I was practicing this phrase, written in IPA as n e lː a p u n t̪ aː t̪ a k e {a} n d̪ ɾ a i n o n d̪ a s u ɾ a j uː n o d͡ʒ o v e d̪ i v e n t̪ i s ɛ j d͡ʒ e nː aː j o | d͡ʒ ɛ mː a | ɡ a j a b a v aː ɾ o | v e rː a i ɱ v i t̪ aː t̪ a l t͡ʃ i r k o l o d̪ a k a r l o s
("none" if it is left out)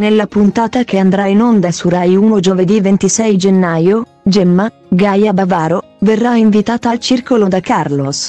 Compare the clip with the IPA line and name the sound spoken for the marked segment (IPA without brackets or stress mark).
a